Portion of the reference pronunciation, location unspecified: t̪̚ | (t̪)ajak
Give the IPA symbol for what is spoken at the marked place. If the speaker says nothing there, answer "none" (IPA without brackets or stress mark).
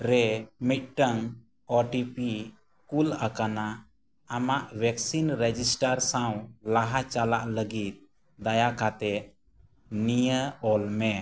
d̪